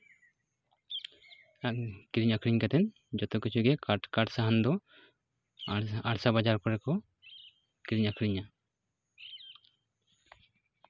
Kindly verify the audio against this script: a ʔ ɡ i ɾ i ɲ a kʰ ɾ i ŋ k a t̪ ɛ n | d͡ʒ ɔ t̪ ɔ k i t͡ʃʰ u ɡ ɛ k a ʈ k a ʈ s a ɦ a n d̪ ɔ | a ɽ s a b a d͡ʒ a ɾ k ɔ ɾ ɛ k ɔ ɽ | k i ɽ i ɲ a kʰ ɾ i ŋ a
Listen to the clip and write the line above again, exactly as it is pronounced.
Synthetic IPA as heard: a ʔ k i ɾ i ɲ a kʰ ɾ i ɲ k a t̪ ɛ n | d͡ʒ ɔ t̪ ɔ k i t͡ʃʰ u ɡ ɛ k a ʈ k a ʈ s a ɦ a n d̪ ɔ | a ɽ s a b a d͡ʒ a ɾ k ɔ ɾ ɛ k ɔ | k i ɾ i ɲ a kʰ ɾ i ɲ a